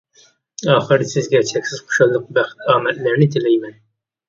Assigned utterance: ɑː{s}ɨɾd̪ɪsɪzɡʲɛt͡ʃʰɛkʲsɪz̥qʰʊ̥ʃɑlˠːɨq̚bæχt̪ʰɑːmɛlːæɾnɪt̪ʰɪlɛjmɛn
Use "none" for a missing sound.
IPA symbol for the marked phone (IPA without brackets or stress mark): χ